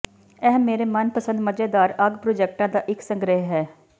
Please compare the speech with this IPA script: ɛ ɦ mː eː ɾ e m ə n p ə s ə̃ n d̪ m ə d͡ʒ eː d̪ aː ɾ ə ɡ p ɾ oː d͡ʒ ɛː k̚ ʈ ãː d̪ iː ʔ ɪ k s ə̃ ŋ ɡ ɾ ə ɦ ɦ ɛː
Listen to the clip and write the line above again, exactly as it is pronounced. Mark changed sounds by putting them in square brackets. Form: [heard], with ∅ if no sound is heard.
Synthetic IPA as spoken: ɛ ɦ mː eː ɾ e m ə n p ə s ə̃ n d̪ m ə d͡ʒ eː d̪ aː ɾ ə ɡ p ɾ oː d͡ʒ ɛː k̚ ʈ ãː d̪ [aː] ʔ ɪ k s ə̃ ŋ ɡ ɾ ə ɦ ɦ ɛː

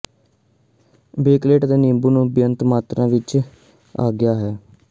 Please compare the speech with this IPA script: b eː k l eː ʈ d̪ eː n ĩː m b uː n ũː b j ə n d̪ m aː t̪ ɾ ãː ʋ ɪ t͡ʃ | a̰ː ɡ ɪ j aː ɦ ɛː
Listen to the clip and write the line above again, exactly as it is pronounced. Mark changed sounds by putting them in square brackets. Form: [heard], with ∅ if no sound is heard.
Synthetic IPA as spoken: b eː k l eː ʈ d̪ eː n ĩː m b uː n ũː b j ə n [t̪] m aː t̪ ɾ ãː ʋ ɪ t͡ʃ | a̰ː ɡ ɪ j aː ɦ ɛː

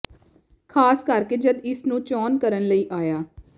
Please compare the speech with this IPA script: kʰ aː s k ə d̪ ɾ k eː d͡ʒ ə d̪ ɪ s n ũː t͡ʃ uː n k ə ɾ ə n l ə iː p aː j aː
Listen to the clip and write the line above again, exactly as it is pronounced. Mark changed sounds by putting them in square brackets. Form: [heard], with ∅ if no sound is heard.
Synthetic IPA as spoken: kʰ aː s k ə [∅] ɾ k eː d͡ʒ ə d̪ ɪ s n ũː t͡ʃ [ɔː] n k ə ɾ ə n l ə iː [ʔ] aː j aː

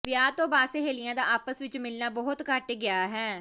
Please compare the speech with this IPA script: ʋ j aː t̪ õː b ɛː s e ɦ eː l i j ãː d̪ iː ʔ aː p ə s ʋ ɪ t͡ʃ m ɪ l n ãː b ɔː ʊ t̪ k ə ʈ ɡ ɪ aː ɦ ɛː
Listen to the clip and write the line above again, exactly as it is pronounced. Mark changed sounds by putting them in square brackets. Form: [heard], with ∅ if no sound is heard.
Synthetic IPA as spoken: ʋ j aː t̪ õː b [aː] s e ɦ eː l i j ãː d̪ [aː] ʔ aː p ə s ʋ ɪ t͡ʃ m ɪ l n [aː] b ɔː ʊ t̪ k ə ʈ ɡ ɪ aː ɦ ɛː

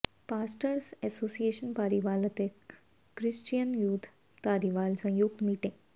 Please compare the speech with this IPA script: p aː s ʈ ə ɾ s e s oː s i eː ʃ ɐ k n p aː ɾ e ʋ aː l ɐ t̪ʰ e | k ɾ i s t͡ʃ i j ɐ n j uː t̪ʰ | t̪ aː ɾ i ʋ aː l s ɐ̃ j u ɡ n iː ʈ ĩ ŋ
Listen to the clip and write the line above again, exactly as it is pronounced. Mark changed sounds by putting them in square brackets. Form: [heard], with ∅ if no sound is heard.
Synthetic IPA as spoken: p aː s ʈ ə ɾ s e s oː s i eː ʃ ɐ [∅] n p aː ɾ [i] ʋ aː l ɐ [t̪] e | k ɾ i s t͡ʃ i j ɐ n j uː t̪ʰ | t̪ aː ɾ i ʋ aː l s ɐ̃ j u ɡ [m] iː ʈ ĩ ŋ

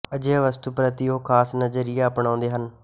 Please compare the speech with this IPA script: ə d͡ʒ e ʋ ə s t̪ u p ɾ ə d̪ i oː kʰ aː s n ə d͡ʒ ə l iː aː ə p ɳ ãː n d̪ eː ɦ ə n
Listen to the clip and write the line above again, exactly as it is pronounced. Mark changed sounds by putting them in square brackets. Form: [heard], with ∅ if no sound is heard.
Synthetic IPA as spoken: ə d͡ʒ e ʋ ə s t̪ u p ɾ ə [t̪] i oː kʰ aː s n ə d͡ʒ ə [ɾ] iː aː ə p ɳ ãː n d̪ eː ɦ ə n

